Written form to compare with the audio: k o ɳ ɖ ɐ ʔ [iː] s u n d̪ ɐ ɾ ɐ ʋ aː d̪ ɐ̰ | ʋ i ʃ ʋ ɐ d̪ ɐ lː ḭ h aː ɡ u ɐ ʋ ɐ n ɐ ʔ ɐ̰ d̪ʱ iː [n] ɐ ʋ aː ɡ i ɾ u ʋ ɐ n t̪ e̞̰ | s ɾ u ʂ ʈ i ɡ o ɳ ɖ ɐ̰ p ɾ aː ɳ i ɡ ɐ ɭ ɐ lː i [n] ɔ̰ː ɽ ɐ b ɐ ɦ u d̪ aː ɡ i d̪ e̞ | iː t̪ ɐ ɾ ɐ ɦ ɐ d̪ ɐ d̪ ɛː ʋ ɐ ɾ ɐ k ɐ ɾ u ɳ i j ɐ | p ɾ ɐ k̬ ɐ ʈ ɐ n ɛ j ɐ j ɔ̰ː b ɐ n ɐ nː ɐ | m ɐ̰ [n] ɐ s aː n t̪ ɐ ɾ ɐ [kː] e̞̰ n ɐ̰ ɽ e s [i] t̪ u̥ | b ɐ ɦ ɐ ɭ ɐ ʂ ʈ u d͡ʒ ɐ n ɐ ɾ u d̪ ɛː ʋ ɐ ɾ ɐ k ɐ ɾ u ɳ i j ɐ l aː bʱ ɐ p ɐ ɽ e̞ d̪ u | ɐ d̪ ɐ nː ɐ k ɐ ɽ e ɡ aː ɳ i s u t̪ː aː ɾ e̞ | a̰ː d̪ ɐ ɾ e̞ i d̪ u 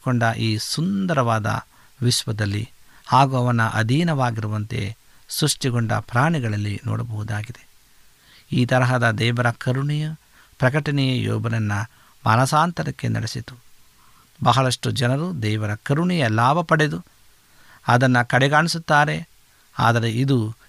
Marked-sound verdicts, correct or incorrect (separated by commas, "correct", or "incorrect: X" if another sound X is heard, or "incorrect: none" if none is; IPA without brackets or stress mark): correct, correct, correct, correct, correct, correct